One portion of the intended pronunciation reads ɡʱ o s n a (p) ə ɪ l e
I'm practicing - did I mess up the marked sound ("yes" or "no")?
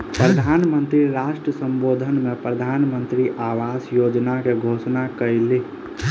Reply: yes